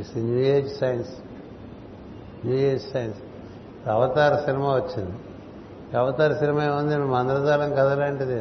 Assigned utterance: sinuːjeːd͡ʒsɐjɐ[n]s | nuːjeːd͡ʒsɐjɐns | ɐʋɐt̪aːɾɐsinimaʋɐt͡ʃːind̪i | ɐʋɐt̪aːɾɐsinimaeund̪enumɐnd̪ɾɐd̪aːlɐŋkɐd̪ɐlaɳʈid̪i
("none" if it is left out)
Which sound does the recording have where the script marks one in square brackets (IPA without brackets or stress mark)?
n